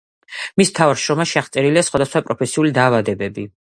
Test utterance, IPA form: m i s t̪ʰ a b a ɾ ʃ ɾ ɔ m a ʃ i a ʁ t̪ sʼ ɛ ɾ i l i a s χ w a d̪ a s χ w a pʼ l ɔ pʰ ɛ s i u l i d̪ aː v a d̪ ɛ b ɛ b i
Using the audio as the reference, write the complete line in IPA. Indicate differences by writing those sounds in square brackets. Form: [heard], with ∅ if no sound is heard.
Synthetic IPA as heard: m i s t̪ʰ a [v] a ɾ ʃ ɾ ɔ m a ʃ i a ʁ t̪ sʼ ɛ ɾ i l i a s χ w a d̪ a s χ w a pʼ [ɾ] ɔ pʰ ɛ s i u l i d̪ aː v a d̪ ɛ b ɛ b i

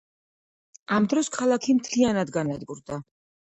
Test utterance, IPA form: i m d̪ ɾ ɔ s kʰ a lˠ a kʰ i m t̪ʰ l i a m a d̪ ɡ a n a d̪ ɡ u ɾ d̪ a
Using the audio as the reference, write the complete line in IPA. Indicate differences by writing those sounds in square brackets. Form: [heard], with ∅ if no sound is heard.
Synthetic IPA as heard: [a] m d̪ ɾ ɔ s kʰ a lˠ a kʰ i m t̪ʰ l i a [n] a d̪ ɡ a n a d̪ ɡ u ɾ d̪ a

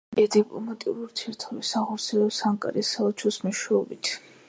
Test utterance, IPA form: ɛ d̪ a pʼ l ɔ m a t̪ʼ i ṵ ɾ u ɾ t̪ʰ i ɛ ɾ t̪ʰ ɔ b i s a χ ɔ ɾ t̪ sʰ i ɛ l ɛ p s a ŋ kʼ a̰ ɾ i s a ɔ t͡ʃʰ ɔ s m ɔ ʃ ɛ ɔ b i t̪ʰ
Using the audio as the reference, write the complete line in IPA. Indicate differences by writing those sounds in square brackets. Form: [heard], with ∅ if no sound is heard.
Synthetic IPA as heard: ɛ d̪ [i] pʼ l ɔ m a t̪ʼ i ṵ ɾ u ɾ t̪ʰ i ɛ ɾ t̪ʰ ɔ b i s a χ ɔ ɾ t̪ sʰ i ɛ l ɛ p s a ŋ kʼ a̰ ɾ i s a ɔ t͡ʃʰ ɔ s m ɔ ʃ ɛ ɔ b i t̪ʰ

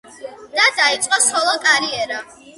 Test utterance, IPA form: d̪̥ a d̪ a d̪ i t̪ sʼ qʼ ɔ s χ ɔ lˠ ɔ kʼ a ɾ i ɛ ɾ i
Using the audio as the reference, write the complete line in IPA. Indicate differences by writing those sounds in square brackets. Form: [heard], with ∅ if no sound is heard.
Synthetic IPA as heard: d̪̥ a d̪ a [∅] i t̪ sʼ qʼ ɔ s χ ɔ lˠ ɔ kʼ a ɾ i ɛ ɾ [a]

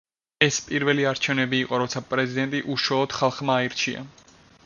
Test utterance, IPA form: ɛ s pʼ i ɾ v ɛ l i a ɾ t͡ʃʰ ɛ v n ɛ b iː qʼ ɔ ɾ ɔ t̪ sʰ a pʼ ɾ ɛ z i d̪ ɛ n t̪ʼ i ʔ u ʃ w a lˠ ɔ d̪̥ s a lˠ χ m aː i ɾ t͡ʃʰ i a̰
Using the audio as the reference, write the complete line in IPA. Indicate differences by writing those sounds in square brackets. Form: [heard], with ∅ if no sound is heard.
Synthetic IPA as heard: ɛ s pʼ i ɾ v ɛ l i a ɾ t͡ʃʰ ɛ v n ɛ b iː qʼ ɔ ɾ ɔ t̪ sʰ a pʼ ɾ ɛ z i d̪ ɛ n t̪ʼ i ʔ u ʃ w a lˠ ɔ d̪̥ [χ] a lˠ χ m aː i ɾ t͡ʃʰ i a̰

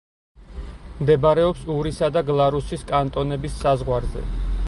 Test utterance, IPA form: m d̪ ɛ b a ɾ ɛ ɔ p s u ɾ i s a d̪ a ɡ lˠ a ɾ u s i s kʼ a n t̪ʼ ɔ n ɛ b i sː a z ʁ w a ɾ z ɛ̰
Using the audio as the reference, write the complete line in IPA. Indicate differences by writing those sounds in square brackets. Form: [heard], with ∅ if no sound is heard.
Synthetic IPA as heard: m d̪ ɛ b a ɾ ɛ ɔ p s u ɾ i s a d̪ a ɡ lˠ a ɾ u s i s kʼ a n t̪ʼ ɔ n ɛ b i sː a z ʁ w a ɾ z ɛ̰

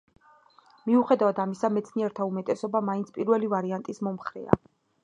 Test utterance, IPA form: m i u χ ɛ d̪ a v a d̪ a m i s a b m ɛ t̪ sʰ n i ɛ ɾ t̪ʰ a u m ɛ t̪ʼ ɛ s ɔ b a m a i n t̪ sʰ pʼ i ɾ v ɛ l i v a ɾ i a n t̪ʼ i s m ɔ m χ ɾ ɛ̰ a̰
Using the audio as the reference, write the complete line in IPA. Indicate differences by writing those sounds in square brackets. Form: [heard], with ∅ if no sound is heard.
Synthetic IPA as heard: m i u χ ɛ d̪ a v a d̪ a m i s a [∅] m ɛ t̪ sʰ n i ɛ ɾ t̪ʰ a u m ɛ t̪ʼ ɛ s ɔ b a m a i n t̪ sʰ pʼ i ɾ v ɛ l i v a ɾ i a n t̪ʼ i s m ɔ m χ ɾ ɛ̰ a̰

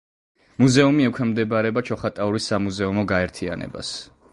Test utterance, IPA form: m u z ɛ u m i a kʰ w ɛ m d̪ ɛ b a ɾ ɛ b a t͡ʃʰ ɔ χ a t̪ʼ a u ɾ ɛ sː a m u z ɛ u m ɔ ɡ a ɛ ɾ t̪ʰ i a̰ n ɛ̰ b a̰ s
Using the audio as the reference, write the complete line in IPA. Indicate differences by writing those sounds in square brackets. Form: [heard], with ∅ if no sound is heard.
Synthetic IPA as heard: m u z ɛ u m i [ɛ] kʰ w ɛ m d̪ ɛ b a ɾ ɛ b a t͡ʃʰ ɔ χ a t̪ʼ a u ɾ [i] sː a m u z ɛ u m ɔ ɡ a ɛ ɾ t̪ʰ i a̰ n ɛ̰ b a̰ s

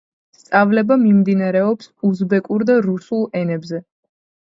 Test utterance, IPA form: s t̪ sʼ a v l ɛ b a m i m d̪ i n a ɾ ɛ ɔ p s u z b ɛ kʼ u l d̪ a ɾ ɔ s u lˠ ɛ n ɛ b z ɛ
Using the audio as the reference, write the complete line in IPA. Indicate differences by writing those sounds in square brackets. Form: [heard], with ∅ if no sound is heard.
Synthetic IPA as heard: s t̪ sʼ a v l ɛ b a m i m d̪ i n a ɾ ɛ ɔ p s u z b ɛ kʼ u [ɾ] d̪ a ɾ [u] s u lˠ ɛ n ɛ b z ɛ

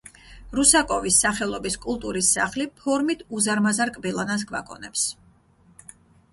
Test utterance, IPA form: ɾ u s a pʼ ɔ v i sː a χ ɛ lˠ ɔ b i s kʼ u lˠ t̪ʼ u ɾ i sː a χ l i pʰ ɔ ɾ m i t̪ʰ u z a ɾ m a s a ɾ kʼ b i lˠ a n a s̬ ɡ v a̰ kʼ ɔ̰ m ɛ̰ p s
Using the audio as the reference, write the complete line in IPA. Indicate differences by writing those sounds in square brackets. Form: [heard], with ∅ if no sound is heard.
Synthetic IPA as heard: ɾ u s a [kʼ] ɔ v i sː a χ ɛ lˠ ɔ b i s kʼ u lˠ t̪ʼ u ɾ i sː a χ l i pʰ ɔ ɾ m i t̪ʰ u z a ɾ m a [z] a ɾ kʼ b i lˠ a n a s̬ ɡ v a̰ kʼ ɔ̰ [n] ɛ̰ p s

